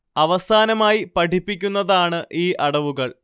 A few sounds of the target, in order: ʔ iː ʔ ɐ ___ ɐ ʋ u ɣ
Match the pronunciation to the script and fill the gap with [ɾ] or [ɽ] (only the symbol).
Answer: ɽ